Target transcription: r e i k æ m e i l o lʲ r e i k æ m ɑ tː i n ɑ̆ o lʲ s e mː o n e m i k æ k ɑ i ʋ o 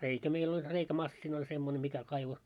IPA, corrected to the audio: r e i k æ m e i l o lʲ r e i k æ m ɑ sː i n ɑ̆ o lʲ s e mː o n e m i k æ k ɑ i ʋ o